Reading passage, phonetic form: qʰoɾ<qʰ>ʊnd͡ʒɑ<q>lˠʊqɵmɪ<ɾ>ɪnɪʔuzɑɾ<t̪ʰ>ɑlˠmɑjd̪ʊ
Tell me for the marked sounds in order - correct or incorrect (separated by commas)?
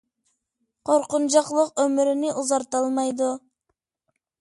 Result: incorrect, correct, correct, incorrect